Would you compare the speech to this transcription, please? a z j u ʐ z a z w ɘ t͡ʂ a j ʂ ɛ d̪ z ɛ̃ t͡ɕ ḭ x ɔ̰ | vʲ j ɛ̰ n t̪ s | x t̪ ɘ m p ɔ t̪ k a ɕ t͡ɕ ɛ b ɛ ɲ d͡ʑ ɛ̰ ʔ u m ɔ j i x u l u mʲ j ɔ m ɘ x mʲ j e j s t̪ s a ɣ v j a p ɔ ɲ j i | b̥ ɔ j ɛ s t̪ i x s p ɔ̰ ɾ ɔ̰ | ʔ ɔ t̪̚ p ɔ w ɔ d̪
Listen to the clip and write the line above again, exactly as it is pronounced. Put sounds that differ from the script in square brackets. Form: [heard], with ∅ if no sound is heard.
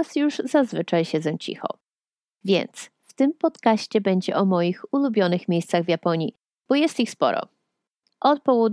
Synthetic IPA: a [s] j u ʐ z a z [v] ɘ t͡ʂ a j [ɕ] ɛ d̪ z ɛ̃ t͡ɕ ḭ x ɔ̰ | vʲ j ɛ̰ n t̪ s | [f] t̪ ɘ m p ɔ t̪ k a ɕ t͡ɕ ɛ b ɛ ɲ d͡ʑ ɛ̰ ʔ [ɔ] m ɔ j i x u l u [bʲ] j ɔ [n] ɘ x mʲ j e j s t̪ s a ɣ v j a p ɔ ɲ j i | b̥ ɔ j ɛ s t̪ i x s p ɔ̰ ɾ ɔ̰ | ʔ ɔ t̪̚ p ɔ w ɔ d̪